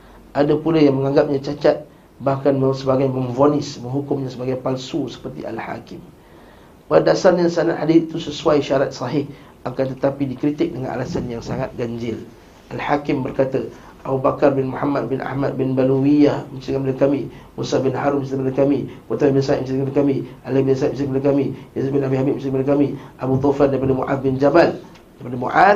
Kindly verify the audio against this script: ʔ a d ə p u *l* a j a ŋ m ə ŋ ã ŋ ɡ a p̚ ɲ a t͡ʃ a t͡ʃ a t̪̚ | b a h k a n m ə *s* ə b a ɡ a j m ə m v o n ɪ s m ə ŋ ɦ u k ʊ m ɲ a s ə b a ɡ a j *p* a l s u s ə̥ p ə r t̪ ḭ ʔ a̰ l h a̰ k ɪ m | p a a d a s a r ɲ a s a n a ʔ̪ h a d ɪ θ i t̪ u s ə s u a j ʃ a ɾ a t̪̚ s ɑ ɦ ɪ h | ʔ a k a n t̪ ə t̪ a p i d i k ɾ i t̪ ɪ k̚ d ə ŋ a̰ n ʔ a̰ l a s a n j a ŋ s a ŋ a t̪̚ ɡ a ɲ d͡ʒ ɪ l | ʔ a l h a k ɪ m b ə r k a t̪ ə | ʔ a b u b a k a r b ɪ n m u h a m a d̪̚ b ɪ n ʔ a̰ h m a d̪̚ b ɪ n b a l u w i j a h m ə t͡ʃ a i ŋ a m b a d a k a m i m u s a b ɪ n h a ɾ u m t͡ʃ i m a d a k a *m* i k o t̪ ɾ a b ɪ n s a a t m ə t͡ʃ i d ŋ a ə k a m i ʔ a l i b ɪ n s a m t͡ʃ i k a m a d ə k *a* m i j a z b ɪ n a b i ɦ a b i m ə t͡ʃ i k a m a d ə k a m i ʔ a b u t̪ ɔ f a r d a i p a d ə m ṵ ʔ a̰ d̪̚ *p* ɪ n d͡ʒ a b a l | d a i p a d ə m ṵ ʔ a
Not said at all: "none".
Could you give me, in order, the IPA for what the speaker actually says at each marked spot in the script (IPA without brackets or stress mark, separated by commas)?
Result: l, s, p, m, a, b